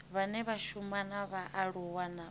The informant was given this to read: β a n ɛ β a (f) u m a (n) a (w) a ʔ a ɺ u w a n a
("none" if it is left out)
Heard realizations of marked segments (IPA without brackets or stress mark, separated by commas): ʃ, n, β